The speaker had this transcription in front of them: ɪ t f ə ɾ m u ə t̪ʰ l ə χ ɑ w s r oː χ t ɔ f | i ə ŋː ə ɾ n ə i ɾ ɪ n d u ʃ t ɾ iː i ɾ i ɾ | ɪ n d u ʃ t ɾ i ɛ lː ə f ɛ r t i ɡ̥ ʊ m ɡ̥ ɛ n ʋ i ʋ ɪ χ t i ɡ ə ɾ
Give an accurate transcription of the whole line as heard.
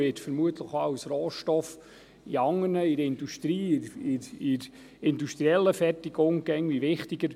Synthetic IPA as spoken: ɪ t f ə ɾ m u ə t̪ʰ l ə χ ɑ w s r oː ʃ t ɔ f | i ɑ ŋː ə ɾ n ə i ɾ ɪ n d u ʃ t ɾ iː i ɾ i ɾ | ɪ n d u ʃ t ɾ i ɛ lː ə f ɛ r t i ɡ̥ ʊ ŋ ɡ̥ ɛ ŋ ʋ i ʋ ɪ χ t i ɡ ə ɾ